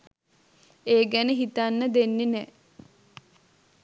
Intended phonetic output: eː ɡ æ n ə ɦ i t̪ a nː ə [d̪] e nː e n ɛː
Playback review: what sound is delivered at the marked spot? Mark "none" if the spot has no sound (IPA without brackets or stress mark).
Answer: d̪